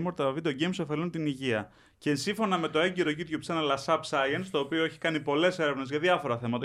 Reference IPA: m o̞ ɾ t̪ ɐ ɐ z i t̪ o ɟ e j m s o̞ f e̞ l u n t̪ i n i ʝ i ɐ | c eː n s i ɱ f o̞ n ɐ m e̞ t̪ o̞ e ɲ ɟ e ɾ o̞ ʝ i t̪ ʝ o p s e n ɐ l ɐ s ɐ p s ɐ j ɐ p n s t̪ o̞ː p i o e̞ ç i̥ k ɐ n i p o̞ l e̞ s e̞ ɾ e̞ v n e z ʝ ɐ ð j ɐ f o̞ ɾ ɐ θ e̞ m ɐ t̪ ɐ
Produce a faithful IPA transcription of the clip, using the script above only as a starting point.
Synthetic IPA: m o̞ ɾ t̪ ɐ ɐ v i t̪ o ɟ e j m s o̞ f e̞ l u n t̪ i n i ʝ i ɐ | c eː n s i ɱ f o̞ n ɐ m e̞ t̪ o̞ e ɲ ɟ e ɾ o̞ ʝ i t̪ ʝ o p s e n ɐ l ɐ s ɐ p s ɐ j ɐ n s t̪ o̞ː p i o e̞ ç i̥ k ɐ n i p o̞ l e̞ s e̞ ɾ e̞ v n e z ʝ ɐ ð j ɐ f o̞ ɾ ɐ θ e̞ m ɐ t̪ ɐ